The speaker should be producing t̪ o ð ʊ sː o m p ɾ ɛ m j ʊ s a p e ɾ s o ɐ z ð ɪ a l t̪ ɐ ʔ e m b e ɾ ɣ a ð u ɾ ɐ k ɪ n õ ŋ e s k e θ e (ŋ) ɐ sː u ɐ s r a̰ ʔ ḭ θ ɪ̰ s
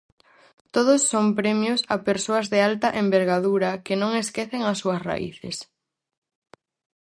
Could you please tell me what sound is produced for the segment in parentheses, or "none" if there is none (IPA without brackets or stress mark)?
ŋ